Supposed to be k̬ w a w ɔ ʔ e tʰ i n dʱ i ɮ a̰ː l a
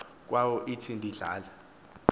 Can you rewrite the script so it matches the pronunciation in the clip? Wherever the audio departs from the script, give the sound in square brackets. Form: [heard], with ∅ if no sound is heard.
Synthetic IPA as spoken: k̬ w a w ɔ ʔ [i] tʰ i n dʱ i ɮ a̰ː l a